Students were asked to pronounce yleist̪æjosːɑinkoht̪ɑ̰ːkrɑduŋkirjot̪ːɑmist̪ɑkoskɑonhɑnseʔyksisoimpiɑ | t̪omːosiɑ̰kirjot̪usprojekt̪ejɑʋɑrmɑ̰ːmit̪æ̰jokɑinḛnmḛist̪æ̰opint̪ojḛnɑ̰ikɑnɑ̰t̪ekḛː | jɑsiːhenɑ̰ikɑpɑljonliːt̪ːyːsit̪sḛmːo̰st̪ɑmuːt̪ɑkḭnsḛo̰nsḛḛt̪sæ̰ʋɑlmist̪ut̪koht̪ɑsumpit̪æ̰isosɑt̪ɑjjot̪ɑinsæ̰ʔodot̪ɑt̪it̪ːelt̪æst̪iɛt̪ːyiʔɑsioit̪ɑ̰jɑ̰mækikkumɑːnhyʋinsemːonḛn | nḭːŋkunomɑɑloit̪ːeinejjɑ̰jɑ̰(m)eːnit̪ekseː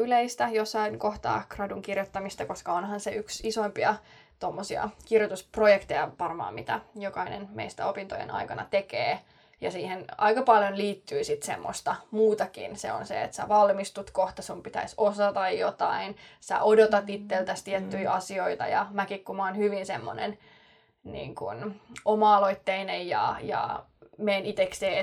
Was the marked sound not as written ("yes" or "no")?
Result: no